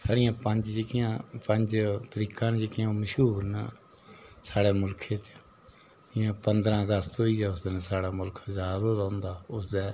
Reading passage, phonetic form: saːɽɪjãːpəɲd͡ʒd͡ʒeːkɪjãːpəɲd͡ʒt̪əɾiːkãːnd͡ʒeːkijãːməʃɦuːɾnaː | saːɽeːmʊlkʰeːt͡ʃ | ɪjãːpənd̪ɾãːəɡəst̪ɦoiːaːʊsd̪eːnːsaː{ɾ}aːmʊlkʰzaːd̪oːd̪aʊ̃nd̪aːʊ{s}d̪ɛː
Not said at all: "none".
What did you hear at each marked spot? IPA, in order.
ɽ, s

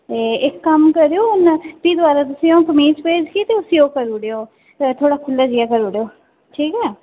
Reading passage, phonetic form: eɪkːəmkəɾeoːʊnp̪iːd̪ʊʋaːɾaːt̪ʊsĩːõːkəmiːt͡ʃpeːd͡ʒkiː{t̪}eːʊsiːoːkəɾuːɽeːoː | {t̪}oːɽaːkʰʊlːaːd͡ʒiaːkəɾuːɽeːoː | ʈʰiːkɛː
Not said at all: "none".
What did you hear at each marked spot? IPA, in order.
t̪, t̪ʰ

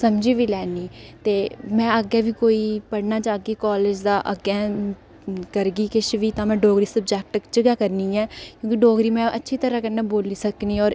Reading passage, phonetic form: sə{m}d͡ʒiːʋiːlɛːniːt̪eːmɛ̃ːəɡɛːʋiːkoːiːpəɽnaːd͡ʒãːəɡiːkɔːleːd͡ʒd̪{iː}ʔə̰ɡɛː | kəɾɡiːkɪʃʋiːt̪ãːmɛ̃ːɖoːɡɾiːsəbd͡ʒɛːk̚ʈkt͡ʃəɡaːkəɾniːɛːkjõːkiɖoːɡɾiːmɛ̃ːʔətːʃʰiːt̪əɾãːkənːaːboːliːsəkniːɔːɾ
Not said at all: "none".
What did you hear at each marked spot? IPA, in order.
m, aː

